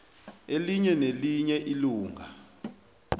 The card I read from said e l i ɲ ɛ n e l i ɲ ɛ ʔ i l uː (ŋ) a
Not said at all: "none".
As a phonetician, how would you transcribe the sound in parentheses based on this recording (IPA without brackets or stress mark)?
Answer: ŋ